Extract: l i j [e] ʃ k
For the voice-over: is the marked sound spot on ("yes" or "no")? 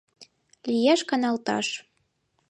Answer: no